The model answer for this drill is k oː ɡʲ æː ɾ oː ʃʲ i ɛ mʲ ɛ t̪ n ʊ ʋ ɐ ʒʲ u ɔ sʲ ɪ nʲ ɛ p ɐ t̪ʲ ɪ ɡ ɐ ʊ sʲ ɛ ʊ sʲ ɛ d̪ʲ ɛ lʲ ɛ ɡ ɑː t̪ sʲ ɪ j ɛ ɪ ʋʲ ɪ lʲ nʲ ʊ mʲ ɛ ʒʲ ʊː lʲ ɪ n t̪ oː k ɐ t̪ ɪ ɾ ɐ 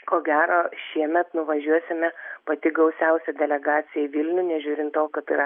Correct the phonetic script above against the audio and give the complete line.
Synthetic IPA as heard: k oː ɡʲ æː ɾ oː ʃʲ i ɛ mʲ ɛ t̪ n ʊ ʋ ɐ ʒʲ u ɔ sʲ ɪ mʲ ɛ p ɐ t̪ʲ ɪ ɡ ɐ ʊ sʲ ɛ ʊ sʲ ɛ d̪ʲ ɛ lʲ ɛ ɡ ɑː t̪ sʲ ɪ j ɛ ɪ ʋʲ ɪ lʲ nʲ ʊ nʲ ɛ ʒʲ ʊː ɾʲ ɪ n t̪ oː k ɐ t̪ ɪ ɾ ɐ

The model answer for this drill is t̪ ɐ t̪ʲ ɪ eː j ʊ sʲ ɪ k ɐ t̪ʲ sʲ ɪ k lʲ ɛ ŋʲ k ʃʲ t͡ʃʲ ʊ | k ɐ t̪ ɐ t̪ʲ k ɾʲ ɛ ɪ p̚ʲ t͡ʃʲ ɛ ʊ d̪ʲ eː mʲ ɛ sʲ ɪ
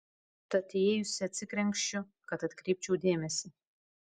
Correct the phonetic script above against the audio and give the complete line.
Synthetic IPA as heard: t̪ ɐ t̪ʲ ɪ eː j ʊ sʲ ɪ ɐ t̪ʲ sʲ ɪ k ɾʲ ɛ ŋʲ k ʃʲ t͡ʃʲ ʊ | k ɐ t̪ ɐ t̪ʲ k ɾʲ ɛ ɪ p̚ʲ t͡ʃʲ ɛ ʊ d̪ʲ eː mʲ ɛ sʲ ɪ

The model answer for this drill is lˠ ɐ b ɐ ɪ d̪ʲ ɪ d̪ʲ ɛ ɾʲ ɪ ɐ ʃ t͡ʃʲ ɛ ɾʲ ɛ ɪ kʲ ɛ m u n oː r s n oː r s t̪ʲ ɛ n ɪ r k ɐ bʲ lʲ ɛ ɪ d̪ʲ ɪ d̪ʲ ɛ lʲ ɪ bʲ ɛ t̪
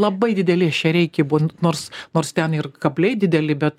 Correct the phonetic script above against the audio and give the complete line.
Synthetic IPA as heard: lˠ ɐ b ɐ ɪ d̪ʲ ɪ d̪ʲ ɛ lʲ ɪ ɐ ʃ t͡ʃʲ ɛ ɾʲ ɛ ɪ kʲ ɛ b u n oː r s n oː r s t̪ʲ ɛ n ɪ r k ɐ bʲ lʲ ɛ ɪ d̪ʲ ɪ d̪ʲ ɛ lʲ ɪ bʲ ɛ t̪

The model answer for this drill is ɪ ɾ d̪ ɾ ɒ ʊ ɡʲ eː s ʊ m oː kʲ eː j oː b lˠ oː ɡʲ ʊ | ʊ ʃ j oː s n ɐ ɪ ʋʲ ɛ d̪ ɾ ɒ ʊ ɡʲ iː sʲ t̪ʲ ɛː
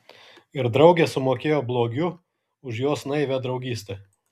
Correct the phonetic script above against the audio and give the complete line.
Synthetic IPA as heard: ɪ ɾ d̪ ɾ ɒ ʊ ɡʲ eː s ʊ m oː kʲ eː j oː b lˠ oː ɡʲ ʊ | ʊ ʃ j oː s n ɐ ɪ ʋʲ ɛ d̪ ɾ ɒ ʊ ɡʲ iː sʲ t̪ʲ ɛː

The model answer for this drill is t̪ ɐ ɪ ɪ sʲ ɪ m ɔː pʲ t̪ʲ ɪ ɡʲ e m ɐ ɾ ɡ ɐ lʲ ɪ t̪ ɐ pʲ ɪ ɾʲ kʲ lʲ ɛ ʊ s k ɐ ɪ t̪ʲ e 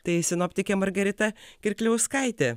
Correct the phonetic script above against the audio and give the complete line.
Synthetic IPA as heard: t̪ ɐ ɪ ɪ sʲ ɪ n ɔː pʲ t̪ʲ ɪ kʲ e m ɐ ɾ ɡ ɐ ɾʲ ɪ t̪ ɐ kʲ ɪ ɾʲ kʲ lʲ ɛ ʊ s k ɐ ɪ t̪ʲ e

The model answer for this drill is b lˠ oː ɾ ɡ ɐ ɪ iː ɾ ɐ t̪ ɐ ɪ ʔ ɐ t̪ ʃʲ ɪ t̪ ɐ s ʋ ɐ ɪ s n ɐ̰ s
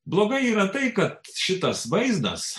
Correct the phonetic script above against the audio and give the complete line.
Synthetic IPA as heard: b lˠ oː ɡ ɐ ɪ iː ɾ ɐ t̪ ɐ ɪ k ɐ t̪ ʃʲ ɪ t̪ ɐ s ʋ ɐ ɪ z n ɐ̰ s

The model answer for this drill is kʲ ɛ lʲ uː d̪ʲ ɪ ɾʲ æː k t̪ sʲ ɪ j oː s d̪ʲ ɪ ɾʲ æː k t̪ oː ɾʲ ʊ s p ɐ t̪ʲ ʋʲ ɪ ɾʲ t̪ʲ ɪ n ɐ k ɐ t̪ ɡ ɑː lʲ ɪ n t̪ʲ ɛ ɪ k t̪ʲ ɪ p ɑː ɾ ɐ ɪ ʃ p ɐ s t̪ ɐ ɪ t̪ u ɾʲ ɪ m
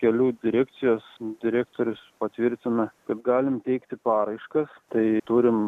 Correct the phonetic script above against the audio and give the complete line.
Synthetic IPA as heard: kʲ ɛ lʲ uː d̪ʲ ɪ ɾʲ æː k t̪ sʲ ɪ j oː s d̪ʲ ɪ ɾʲ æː k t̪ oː ɾʲ ʊ s p ɐ t̪ʲ ʋʲ ɪ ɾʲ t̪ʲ ɪ n ɐ k ɐ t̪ ɡ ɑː lʲ ɪ m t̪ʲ ɛ ɪ k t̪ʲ ɪ p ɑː ɾ ɐ ɪ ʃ k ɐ s t̪ ɐ ɪ t̪ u ɾʲ ɪ m

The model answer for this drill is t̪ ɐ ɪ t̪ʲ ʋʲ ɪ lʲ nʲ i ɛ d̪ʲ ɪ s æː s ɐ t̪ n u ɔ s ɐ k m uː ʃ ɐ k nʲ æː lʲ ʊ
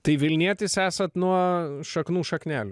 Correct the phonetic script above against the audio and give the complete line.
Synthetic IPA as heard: t̪ ɐ ɪ ʋʲ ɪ lʲ nʲ i ɛ t̪ʲ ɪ s æː s ɐ t̪ n u ɔ ʃ ɐ k n uː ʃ ɐ k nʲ æː lʲ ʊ

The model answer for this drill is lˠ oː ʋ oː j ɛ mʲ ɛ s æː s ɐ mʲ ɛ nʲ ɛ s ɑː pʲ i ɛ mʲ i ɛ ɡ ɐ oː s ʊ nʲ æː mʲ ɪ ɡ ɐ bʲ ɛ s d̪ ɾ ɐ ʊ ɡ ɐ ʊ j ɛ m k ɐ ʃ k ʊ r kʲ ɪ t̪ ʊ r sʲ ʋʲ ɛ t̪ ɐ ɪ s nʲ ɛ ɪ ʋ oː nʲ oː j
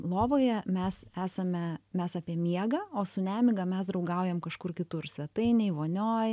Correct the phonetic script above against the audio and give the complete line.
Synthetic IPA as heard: lˠ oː ʋ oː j ɛ mʲ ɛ s æː s ɐ mʲ ɛ mʲ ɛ s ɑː pʲ i ɛ mʲ i ɛ ɡ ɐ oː s ʊ nʲ æː mʲ ɪ ɡ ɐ mʲ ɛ s d̪ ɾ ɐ ʊ ɡ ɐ ʊ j ɛ m k ɐ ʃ k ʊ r kʲ ɪ t̪ ʊ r sʲ ʋʲ ɛ t̪ ɐ ɪ nʲ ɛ ɪ ʋ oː nʲ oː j

